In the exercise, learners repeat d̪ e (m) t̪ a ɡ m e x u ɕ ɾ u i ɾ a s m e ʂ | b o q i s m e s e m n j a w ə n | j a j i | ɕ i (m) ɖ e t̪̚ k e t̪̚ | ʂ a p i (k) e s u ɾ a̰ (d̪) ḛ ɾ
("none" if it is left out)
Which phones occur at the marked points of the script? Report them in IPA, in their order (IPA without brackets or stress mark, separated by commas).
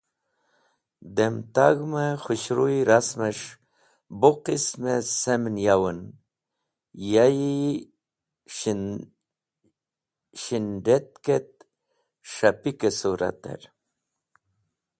m, n, k, t̪